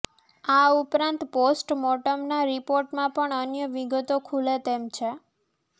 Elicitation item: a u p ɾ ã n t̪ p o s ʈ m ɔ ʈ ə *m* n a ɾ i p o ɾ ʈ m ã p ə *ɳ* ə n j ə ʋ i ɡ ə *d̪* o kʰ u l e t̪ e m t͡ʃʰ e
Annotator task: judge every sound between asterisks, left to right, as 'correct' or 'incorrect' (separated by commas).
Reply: correct, correct, incorrect